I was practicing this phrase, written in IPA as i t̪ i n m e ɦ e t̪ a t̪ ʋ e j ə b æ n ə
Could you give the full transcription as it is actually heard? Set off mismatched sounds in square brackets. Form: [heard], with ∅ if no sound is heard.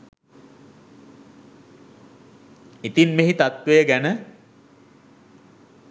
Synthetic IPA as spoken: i t̪ i n m e ɦ [i] t̪ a t̪ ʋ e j ə [ɡ] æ n ə